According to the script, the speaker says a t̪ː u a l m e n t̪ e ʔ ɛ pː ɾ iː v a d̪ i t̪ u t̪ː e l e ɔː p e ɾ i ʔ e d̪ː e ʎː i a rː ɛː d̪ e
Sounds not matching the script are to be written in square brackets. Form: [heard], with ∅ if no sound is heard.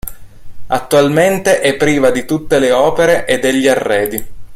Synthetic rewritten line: a t̪ː u a l m e n t̪ e ʔ ɛ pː ɾ iː v a d̪ i t̪ u t̪ː e l e ɔː p e ɾ [e] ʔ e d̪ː e ʎː i a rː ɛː d̪ [i]